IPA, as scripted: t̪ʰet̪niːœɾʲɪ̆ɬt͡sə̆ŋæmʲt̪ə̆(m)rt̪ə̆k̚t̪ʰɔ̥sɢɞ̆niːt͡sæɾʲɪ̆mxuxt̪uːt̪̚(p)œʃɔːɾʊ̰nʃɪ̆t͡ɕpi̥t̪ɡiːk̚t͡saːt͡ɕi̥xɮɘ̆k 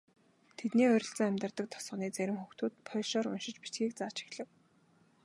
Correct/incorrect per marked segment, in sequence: incorrect: none, incorrect: pʰ

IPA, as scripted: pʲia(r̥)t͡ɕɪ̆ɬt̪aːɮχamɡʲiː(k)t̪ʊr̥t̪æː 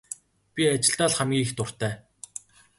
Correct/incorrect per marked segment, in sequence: incorrect: none, incorrect: x

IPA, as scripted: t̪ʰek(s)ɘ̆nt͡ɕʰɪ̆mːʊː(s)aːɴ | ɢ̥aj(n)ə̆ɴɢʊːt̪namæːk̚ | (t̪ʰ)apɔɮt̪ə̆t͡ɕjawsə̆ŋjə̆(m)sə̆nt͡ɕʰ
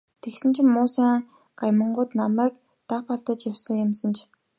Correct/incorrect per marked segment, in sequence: correct, correct, incorrect: m, incorrect: t̪, correct

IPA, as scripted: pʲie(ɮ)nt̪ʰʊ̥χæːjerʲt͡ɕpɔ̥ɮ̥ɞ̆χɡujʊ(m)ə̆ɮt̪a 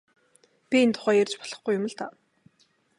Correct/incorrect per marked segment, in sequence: incorrect: none, correct

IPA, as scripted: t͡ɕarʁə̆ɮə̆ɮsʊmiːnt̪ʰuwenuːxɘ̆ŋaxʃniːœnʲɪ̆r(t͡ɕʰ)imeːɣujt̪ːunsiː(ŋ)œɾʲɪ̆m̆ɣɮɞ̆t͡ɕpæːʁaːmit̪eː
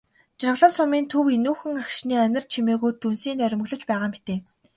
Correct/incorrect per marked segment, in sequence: correct, incorrect: n

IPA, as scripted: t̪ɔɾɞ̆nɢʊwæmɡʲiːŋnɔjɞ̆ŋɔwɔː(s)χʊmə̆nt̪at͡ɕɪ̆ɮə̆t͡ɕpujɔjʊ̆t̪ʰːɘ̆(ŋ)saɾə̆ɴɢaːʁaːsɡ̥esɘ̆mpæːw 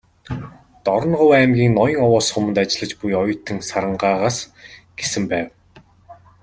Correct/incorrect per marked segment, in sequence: correct, correct

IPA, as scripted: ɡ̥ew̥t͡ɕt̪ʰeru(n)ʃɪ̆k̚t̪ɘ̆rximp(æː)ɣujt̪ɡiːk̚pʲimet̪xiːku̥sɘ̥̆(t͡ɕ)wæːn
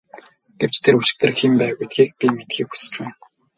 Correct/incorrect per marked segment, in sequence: incorrect: none, correct, correct

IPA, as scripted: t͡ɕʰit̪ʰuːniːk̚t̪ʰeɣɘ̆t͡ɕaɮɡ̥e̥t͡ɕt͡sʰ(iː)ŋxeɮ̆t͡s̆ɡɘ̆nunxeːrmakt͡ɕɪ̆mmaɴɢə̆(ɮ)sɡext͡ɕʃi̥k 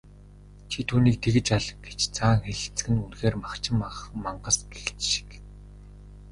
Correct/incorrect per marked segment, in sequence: incorrect: aː, incorrect: none

